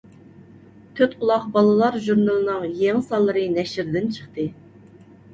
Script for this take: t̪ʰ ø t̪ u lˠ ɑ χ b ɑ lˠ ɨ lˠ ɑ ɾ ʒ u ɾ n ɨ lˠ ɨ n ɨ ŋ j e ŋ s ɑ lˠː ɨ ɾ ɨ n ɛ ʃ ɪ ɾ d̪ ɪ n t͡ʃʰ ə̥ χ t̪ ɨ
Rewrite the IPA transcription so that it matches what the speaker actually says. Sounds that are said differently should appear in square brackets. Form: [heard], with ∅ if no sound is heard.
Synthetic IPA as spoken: t̪ʰ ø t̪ u lˠ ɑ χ b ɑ lˠ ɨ lˠ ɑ ɾ ʒ u ɾ n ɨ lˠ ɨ n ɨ ŋ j e ŋ s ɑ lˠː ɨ ɾ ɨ n ɛ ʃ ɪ ɾ d̪ ɪ n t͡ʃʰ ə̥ χ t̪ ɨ

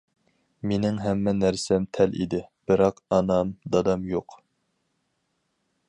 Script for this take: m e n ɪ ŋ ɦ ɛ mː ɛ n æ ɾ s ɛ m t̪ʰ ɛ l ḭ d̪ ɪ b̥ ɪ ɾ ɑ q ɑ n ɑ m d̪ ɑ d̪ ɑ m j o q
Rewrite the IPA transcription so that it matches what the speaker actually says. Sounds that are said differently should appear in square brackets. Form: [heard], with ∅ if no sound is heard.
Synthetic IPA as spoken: m e n ɪ ŋ ɦ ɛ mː ɛ n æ ɾ s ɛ m t̪ʰ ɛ l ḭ d̪ ɪ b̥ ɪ ɾ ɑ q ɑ n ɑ m d̪ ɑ d̪ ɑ m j o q

